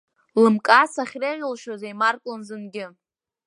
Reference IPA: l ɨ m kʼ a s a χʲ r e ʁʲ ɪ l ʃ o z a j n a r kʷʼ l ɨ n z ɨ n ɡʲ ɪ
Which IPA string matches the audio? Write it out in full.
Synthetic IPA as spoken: l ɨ m kʼ a s a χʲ r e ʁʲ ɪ l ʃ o z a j m a r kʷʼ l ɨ n z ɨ n ɡʲ ɪ